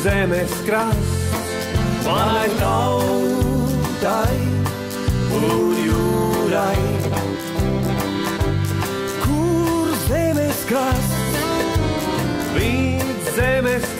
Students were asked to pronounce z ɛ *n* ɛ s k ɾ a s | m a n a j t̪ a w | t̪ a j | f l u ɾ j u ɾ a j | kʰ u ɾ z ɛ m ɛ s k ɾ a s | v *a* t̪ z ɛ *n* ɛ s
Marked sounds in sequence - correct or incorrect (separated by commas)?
incorrect, incorrect, incorrect